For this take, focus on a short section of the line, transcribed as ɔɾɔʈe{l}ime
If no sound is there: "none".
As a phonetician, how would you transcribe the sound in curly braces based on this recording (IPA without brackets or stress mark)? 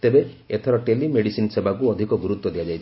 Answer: l